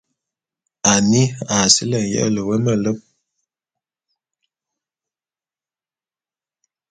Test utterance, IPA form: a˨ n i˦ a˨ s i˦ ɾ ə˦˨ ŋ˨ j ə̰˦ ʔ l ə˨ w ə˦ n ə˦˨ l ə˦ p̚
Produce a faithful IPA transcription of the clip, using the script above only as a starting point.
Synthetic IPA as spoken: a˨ n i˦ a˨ s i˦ l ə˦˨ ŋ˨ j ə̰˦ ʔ l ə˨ w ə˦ m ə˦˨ l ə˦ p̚

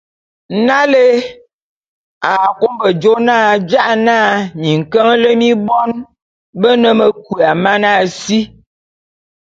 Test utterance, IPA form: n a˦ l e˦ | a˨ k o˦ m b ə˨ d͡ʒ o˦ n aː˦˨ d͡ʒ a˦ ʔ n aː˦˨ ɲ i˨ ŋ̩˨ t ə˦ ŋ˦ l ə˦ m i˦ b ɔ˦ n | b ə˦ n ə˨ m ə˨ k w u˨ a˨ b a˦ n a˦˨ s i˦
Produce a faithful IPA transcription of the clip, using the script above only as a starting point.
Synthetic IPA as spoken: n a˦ l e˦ | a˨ k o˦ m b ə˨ d͡ʒ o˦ n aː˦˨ d͡ʒ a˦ ʔ n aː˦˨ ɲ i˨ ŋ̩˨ k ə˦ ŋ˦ l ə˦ m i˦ b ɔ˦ n | b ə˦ n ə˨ m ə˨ k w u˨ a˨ m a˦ n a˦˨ s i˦

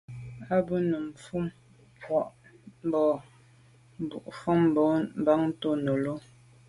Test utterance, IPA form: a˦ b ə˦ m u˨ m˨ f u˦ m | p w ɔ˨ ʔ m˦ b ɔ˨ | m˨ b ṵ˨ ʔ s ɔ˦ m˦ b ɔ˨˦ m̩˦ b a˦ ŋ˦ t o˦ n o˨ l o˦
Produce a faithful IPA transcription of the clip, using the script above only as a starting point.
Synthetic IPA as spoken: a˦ b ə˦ n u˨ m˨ f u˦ m | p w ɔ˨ ʔ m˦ b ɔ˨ | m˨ b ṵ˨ ʔ f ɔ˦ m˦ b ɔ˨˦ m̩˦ b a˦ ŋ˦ t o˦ n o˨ l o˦

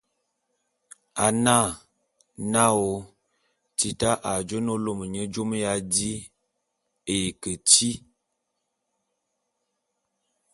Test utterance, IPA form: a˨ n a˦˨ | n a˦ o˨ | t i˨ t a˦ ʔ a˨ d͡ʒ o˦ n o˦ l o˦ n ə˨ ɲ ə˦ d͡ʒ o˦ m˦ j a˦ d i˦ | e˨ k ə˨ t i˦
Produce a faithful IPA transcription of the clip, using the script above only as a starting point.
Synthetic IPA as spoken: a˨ n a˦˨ | n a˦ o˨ | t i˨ t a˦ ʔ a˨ d͡ʒ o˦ n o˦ l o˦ m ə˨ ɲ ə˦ d͡ʒ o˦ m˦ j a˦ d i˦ | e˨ k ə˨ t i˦

